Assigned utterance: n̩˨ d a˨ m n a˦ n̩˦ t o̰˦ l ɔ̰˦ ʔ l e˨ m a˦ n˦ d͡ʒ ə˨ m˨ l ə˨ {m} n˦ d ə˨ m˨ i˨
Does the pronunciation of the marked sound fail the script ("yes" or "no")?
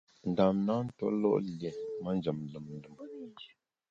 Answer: no